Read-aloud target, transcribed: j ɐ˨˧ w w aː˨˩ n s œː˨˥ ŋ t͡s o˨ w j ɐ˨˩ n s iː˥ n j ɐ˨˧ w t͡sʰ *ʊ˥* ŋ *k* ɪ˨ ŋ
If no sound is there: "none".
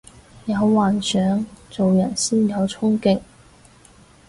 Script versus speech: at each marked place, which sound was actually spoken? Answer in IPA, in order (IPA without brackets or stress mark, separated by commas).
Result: ʊ˥, k